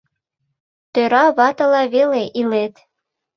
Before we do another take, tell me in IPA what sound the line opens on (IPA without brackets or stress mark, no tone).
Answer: t̪